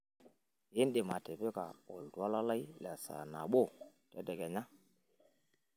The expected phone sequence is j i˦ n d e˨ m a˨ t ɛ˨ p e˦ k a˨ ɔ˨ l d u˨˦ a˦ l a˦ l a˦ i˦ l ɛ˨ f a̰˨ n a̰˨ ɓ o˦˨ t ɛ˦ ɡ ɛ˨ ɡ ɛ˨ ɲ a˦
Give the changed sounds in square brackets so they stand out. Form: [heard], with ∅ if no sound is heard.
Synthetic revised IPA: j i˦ n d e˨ m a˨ t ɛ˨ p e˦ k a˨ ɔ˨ l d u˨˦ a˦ l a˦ l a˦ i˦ l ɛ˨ [s] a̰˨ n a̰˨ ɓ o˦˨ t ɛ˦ [d] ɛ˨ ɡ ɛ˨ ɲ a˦